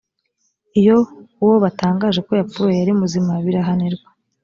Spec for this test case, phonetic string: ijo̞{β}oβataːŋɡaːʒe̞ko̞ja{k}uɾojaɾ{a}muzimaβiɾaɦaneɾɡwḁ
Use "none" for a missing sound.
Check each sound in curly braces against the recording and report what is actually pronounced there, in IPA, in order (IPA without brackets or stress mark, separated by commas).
w, p, i